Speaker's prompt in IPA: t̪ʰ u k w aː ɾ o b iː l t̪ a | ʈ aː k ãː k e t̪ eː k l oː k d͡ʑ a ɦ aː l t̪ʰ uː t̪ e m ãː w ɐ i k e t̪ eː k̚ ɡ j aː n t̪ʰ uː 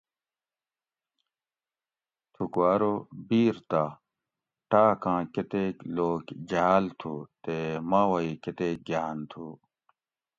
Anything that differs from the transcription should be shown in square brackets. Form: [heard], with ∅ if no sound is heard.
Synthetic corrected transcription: t̪ʰ u k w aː ɾ o b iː [ɾ] t̪ a | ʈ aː k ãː k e t̪ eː k l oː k d͡ʑ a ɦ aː l t̪ʰ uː t̪ e m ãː w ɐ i k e t̪ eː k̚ ɡ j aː n t̪ʰ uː